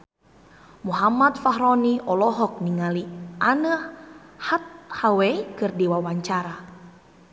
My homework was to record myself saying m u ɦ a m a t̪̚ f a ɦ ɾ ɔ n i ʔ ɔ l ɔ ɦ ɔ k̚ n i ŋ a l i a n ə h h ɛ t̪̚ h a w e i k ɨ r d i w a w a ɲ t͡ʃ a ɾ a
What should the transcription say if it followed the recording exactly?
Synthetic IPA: m u ɦ a m a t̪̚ f a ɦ ɾ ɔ n i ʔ ɔ l ɔ ɦ ɔ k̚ n i ŋ a l i a n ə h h a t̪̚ h a w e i k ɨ r d i w a w a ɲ t͡ʃ a ɾ a